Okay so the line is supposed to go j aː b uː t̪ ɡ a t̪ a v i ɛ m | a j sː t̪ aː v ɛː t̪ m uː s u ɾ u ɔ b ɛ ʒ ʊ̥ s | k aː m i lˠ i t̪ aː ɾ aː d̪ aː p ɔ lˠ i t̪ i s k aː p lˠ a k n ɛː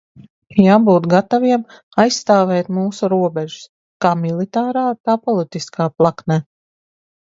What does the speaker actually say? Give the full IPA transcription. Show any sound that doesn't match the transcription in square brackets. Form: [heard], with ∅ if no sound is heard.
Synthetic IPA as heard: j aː b uː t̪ ɡ a t̪ a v i ɛ m | a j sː t̪ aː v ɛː t̪ m uː s u ɾ u ɔ b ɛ ʒ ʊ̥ s | k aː m i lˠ i t̪ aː ɾ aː [t̪] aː p ɔ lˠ i t̪ i s k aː p lˠ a k n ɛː